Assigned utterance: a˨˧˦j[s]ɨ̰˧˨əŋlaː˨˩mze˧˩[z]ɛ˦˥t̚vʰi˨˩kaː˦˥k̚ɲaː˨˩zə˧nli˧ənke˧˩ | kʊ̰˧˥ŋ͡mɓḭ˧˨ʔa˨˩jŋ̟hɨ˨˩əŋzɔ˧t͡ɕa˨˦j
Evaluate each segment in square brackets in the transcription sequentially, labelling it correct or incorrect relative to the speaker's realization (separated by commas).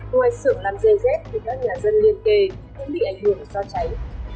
correct, correct